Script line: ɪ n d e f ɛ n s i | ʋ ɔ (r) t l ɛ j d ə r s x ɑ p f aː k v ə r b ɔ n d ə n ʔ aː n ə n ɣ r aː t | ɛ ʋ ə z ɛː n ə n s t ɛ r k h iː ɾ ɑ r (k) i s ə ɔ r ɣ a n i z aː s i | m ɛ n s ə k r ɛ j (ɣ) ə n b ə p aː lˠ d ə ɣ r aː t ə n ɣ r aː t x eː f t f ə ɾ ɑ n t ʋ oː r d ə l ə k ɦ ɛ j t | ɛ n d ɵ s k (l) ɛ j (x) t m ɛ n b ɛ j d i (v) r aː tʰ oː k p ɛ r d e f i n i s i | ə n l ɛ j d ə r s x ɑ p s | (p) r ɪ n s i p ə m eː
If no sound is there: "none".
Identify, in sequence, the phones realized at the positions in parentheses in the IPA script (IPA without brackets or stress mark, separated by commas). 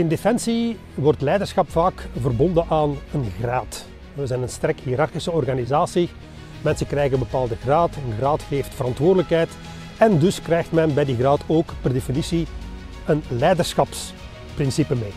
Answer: r, x, ɣ, r, x, ɣ, p